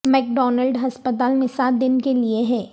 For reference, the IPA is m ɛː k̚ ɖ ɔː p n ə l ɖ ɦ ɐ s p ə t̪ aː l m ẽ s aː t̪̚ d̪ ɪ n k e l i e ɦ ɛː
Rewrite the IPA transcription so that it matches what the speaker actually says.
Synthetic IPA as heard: m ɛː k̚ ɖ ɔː n ə l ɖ ɦ ɐ s p ə t̪ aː l m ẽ s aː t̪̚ d̪ ɪ n k e l i e ɦ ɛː